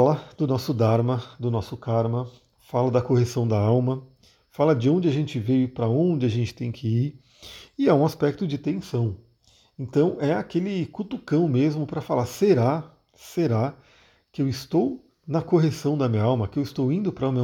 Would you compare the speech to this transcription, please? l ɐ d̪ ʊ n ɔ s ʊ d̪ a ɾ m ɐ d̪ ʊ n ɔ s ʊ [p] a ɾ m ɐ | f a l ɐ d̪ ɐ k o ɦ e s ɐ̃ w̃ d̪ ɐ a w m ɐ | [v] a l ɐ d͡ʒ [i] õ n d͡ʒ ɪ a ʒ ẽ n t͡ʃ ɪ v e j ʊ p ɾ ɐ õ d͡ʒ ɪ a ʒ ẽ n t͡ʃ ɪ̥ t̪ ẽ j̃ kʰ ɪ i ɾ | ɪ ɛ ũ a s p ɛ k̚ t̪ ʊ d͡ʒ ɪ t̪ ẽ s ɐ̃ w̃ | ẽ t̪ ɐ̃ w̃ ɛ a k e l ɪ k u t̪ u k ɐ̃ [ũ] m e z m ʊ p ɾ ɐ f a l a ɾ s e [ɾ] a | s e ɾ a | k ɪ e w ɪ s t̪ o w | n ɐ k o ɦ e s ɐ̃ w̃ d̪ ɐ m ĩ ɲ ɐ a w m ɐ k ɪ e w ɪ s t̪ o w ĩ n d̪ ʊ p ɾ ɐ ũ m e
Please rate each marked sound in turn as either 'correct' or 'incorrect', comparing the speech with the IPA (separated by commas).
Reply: incorrect, incorrect, incorrect, incorrect, correct